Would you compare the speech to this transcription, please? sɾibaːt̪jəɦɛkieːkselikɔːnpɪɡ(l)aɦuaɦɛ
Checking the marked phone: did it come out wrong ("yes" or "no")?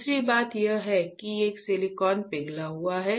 no